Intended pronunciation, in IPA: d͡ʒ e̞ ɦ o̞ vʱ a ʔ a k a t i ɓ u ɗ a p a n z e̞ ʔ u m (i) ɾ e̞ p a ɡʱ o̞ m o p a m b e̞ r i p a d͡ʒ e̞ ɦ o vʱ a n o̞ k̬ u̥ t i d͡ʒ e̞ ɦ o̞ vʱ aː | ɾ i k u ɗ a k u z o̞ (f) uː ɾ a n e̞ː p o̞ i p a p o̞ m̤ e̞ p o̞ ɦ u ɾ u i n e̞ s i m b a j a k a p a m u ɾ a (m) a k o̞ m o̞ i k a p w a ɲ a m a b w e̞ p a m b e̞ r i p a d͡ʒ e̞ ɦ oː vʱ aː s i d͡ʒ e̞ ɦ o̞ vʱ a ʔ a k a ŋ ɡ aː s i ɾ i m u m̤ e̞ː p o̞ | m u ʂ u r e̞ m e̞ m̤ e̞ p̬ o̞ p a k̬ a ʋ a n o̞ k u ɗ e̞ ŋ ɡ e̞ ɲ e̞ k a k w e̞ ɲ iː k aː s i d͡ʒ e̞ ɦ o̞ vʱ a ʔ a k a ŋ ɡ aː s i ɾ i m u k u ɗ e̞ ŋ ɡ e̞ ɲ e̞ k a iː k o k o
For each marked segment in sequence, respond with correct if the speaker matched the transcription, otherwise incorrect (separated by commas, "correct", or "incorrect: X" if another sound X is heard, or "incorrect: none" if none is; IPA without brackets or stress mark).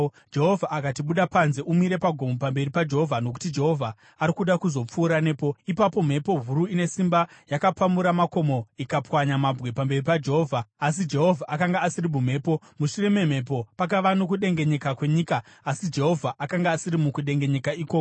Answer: correct, incorrect: p͡f, correct